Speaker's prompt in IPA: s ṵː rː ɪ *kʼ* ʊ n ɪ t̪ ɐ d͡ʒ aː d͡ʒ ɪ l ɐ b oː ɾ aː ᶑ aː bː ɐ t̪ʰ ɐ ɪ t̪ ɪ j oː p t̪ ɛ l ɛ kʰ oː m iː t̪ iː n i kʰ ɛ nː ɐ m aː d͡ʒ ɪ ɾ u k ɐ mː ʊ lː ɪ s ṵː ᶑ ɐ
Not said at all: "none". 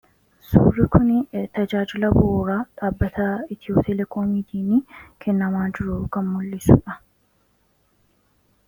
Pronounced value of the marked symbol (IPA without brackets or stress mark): k